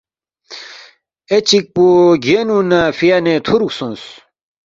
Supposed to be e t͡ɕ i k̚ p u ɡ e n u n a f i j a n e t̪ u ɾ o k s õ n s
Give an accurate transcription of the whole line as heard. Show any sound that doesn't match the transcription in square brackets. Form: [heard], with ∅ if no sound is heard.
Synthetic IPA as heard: e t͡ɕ i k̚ p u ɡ e n u n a f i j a n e [t̪ʰ] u ɾ [u] k s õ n s